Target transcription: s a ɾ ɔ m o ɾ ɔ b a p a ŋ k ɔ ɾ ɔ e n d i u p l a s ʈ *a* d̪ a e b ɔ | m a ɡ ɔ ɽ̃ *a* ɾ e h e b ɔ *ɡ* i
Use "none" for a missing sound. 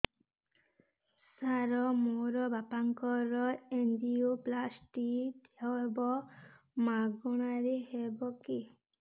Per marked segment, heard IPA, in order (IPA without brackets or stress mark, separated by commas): i, a, k